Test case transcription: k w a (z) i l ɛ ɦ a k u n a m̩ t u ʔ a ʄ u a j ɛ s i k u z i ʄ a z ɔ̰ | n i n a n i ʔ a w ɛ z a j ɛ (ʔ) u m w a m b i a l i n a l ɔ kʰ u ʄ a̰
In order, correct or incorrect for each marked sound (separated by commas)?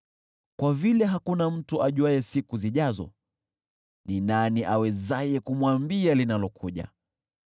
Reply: incorrect, incorrect